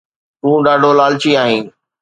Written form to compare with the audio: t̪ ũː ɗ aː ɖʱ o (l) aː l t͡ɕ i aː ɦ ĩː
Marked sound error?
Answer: no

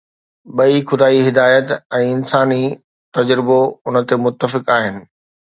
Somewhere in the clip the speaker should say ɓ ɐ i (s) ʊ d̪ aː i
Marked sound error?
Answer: yes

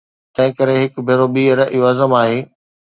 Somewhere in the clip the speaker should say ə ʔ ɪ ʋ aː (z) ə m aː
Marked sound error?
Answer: no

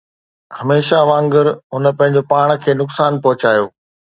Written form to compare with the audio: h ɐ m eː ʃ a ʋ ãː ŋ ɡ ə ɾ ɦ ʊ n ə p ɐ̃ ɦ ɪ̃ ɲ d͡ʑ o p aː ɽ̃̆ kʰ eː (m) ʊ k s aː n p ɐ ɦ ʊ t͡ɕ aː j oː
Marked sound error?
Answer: yes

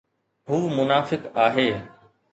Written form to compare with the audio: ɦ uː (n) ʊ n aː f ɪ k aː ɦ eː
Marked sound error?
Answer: yes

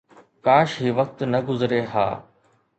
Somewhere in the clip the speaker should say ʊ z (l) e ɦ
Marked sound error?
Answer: yes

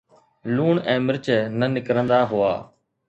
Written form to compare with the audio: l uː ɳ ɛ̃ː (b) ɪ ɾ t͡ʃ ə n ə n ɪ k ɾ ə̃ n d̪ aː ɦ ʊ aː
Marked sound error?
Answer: yes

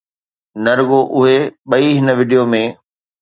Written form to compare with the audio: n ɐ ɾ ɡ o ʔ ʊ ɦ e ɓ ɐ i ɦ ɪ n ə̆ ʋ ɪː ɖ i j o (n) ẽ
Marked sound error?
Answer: yes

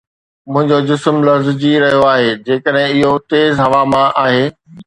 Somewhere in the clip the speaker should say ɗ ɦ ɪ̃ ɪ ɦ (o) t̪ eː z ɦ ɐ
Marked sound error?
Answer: no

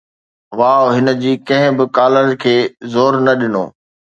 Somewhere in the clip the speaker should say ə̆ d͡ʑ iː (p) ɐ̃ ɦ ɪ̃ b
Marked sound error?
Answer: yes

